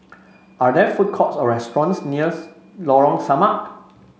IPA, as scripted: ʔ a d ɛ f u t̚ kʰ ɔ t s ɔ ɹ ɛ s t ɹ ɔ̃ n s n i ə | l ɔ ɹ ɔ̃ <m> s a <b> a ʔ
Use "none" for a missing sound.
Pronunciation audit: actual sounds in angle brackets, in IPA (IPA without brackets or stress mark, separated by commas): ŋ, m